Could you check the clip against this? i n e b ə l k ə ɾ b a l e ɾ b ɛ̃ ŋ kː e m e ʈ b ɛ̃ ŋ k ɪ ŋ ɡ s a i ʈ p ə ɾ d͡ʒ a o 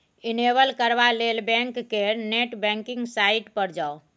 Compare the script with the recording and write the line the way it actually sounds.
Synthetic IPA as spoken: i n e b ə l k ə ɾ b a l e l b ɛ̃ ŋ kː e n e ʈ b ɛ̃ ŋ k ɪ ŋ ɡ s a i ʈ p ə ɾ d͡ʒ a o